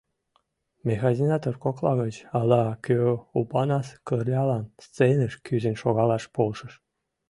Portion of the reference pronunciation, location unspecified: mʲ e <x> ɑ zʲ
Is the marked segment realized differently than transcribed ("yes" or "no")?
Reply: no